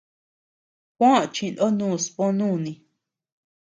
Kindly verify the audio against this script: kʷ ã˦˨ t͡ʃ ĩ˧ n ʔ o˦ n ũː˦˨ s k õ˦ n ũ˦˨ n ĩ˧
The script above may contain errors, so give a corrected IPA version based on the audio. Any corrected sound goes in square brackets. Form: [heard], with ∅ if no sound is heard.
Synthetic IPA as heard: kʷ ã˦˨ t͡ʃ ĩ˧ n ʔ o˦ n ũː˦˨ s [p] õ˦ n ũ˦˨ n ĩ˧